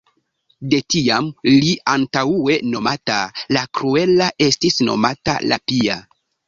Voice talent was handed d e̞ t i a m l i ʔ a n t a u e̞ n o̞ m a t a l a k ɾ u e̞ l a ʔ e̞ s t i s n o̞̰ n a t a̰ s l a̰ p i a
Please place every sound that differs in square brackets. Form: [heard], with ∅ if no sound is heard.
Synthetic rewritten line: d e̞ t i a m l i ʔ a n t a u e̞ n o̞ m a t a l a k ɾ u e̞ l a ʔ e̞ s t i s n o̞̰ [m] a t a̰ [∅] l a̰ p i a